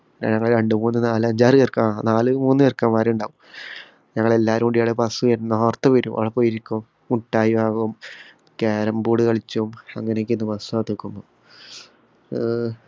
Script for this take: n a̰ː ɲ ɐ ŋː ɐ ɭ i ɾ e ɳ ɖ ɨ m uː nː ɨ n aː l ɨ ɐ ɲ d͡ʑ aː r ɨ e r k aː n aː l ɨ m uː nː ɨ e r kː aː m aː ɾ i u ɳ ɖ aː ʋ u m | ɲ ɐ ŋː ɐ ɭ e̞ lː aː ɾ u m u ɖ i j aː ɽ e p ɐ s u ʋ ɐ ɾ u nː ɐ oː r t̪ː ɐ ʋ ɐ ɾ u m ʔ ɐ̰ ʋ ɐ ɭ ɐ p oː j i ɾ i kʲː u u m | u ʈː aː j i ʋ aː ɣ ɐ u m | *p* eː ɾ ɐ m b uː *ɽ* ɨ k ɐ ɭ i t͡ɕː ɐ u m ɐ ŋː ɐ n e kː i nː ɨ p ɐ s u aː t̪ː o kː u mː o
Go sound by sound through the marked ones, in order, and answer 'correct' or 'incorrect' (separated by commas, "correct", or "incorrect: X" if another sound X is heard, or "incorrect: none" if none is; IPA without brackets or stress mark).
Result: incorrect: k, correct